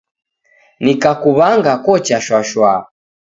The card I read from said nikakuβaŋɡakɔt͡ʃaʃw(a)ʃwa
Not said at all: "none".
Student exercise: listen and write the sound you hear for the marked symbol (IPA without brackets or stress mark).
a